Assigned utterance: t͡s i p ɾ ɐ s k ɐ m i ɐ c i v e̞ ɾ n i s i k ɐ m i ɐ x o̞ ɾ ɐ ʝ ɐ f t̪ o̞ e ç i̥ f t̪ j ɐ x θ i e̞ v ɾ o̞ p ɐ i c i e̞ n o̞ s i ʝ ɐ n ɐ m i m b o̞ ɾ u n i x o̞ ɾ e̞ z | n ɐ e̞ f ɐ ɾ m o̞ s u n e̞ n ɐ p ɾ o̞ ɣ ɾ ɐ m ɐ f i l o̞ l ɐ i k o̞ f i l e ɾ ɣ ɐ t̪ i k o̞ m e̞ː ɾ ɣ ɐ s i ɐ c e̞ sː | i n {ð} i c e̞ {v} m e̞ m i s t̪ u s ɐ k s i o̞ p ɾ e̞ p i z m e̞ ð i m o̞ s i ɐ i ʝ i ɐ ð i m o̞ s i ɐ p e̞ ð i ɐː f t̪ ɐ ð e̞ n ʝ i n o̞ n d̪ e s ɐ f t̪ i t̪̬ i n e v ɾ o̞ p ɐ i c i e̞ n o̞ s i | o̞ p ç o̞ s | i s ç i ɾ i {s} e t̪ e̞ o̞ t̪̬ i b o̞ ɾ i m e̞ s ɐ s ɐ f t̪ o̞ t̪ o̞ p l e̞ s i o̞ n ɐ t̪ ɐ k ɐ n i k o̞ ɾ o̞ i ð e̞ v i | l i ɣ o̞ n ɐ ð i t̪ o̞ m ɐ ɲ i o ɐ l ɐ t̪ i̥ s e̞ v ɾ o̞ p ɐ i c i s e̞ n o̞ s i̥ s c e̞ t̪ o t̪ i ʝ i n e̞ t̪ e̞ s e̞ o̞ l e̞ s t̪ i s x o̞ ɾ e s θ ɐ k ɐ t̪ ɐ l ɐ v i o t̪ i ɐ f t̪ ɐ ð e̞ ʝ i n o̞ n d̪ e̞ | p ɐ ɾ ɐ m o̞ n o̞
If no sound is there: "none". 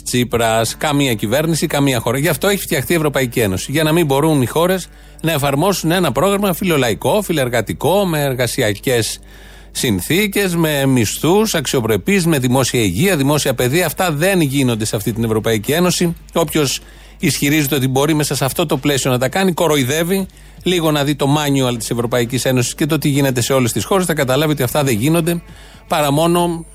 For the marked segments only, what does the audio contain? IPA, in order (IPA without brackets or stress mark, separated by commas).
θ, z, z